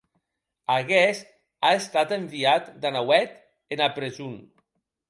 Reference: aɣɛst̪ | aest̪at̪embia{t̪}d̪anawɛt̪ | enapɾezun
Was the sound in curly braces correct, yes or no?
yes